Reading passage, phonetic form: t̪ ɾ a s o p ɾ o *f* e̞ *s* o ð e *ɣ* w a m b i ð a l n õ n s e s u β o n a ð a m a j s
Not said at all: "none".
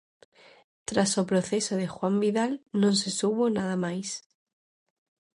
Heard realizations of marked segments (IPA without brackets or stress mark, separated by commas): θ, s, x